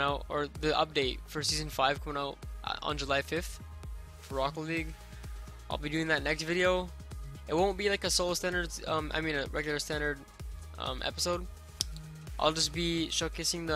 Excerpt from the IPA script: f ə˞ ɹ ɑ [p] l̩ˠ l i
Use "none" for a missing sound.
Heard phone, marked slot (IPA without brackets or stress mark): k